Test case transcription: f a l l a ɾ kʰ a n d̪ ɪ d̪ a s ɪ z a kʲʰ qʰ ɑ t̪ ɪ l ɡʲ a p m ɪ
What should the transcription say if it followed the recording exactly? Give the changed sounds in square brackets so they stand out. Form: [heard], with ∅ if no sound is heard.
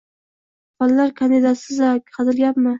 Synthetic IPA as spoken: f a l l a ɾ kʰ a n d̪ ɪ d̪ a s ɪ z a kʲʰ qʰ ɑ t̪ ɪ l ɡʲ a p m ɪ